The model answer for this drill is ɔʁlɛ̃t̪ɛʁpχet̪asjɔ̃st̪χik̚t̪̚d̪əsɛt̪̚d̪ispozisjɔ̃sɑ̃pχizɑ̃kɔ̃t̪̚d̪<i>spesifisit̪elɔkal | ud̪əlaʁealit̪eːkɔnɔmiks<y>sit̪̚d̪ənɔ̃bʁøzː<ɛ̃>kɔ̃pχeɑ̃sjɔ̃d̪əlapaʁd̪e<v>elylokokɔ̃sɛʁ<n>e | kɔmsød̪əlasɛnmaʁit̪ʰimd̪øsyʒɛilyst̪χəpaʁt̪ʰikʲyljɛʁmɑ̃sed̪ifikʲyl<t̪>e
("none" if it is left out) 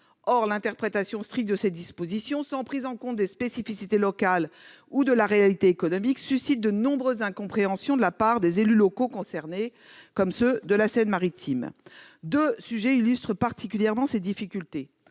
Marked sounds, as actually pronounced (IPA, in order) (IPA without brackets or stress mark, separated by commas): e, y, ɛ̃, z, n, t̪